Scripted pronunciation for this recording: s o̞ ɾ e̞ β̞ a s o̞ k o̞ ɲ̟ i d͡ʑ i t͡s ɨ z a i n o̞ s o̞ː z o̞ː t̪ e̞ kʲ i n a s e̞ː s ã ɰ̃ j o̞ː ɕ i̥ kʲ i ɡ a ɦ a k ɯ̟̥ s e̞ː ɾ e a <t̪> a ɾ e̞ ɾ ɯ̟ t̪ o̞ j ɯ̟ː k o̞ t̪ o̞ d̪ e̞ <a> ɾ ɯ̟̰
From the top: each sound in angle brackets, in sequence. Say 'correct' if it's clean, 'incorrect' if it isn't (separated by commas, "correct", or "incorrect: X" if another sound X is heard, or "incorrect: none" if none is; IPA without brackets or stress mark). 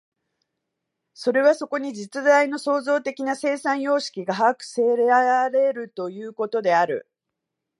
incorrect: none, correct